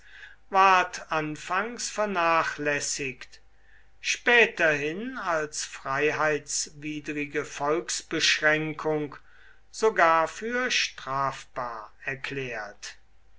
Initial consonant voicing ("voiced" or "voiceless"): voiced